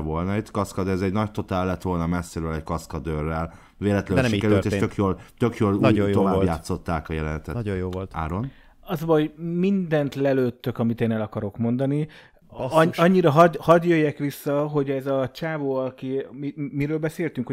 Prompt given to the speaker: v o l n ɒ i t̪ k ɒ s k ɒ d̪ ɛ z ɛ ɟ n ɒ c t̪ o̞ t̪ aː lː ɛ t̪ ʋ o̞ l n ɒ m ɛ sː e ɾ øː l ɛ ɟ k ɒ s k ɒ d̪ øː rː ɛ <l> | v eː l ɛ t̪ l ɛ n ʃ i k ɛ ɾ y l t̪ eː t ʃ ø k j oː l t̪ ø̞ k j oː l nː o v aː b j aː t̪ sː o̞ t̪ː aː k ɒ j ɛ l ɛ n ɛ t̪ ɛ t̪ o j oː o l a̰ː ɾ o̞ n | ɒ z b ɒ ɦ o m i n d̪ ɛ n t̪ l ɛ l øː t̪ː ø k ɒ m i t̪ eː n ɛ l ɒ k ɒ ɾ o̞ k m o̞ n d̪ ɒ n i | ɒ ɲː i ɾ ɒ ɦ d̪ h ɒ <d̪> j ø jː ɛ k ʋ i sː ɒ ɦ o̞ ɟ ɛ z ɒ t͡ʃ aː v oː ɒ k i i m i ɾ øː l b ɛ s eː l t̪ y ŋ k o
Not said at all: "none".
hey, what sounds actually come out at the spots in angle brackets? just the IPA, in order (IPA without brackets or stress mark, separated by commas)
l, d̪